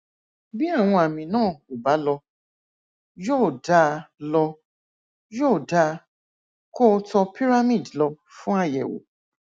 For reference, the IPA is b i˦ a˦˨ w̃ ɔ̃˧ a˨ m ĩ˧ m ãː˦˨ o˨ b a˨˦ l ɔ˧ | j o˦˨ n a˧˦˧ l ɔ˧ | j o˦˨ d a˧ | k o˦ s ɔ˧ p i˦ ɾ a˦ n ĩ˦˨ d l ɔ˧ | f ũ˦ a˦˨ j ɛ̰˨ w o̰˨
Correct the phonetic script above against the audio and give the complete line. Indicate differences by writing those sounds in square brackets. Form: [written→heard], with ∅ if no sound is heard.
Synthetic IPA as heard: b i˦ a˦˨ w̃ ɔ̃˧ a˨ m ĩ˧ [m→n] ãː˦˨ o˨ b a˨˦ l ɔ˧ | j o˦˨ [n→d] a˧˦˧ l ɔ˧ | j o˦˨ d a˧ | k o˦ [s→t] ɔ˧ p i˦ ɾ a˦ [n→m] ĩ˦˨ d l ɔ˧ | f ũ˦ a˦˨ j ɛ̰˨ w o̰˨